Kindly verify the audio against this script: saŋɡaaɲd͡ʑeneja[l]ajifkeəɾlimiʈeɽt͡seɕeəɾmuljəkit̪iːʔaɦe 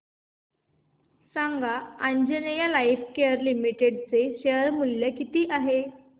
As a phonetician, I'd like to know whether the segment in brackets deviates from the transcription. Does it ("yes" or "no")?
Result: no